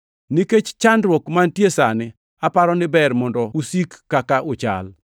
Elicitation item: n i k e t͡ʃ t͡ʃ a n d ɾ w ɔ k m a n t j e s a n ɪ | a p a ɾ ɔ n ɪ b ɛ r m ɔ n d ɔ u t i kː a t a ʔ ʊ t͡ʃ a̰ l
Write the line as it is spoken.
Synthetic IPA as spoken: n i k e t͡ʃ t͡ʃ a n d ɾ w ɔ k m a n t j e s a n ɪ | a p a ɾ ɔ n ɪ b ɛ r m ɔ n d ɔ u s i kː a k a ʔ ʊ t͡ʃ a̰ l

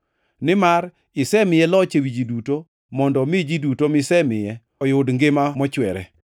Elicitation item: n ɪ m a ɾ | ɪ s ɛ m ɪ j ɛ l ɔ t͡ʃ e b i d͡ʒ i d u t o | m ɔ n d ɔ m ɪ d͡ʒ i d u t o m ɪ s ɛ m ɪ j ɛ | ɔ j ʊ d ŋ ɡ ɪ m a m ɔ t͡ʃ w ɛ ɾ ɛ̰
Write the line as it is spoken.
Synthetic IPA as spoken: n ɪ m a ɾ | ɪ s ɛ m ɪ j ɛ l ɔ t͡ʃ e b i d͡ʒ i d u t o | m ɔ n d ɔ m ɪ d͡ʒ i d u t o m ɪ s ɛ m ɪ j ɛ | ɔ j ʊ d ŋ ɡ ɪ m a m ɔ t͡ʃ w ɛ ɾ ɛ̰

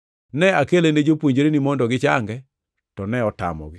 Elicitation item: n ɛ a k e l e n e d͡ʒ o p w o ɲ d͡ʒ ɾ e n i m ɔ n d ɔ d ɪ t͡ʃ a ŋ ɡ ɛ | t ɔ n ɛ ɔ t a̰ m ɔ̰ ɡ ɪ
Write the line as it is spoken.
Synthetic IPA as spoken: n ɛ a k e l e n e d͡ʒ o p w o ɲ d͡ʒ ɾ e n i m ɔ n d ɔ ɡ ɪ t͡ʃ a ŋ ɡ ɛ | t ɔ n ɛ ɔ t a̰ m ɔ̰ ɡ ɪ

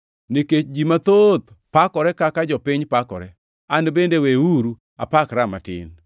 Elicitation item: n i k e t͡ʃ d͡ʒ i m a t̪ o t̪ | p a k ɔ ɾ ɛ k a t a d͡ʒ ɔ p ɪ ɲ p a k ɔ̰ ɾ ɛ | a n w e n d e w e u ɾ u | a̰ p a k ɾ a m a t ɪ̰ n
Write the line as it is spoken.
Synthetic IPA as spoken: n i k e t͡ʃ d͡ʒ i m a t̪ o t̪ | p a k ɔ ɾ ɛ k a k a d͡ʒ ɔ p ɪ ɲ p a k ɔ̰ ɾ ɛ | a n b e n d e w e u ɾ u | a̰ p a k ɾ a m a t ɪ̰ n

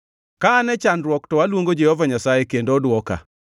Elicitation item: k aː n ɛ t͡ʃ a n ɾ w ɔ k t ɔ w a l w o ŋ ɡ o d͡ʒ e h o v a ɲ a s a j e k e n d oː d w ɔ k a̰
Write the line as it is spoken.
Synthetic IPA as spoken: k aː n ɛ t͡ʃ a n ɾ w ɔ k t ɔ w a l w o ŋ ɡ o d͡ʒ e h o v a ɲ a s a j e k e n d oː d w ɔ k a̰

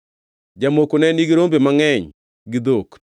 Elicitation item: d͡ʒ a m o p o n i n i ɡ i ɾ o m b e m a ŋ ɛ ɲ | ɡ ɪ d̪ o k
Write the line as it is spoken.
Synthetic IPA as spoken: d͡ʒ a m o k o n ɛ n i ɡ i ɾ o m b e m a ŋ ɛ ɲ | ɡ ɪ d̪ o k

